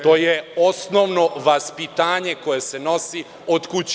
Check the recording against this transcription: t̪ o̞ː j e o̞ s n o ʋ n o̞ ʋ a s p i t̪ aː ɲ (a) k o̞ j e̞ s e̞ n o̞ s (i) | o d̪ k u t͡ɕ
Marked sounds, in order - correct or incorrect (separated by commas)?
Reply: incorrect, correct